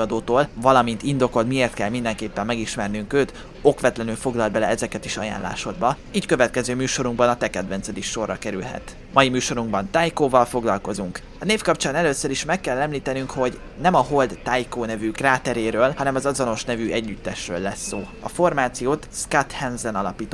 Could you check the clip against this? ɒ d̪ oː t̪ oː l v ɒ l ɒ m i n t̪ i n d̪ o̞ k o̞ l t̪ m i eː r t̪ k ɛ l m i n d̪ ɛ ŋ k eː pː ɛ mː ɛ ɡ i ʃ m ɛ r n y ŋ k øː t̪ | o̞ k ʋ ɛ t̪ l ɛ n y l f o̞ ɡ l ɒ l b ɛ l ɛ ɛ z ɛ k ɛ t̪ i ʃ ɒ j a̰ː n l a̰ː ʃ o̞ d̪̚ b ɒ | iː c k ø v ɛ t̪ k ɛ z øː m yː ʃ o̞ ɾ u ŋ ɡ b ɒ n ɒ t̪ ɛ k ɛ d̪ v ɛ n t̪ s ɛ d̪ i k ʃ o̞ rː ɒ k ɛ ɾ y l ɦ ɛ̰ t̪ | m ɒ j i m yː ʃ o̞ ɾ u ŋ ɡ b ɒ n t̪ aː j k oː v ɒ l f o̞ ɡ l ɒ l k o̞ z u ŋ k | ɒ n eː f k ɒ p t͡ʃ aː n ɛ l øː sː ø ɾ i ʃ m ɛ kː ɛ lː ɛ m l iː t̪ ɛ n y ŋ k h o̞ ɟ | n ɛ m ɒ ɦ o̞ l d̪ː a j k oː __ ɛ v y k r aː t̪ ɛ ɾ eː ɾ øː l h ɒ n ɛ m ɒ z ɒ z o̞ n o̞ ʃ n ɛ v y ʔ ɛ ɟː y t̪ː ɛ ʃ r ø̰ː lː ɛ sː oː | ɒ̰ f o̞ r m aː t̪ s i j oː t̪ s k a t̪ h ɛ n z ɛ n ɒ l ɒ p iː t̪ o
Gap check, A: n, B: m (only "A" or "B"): A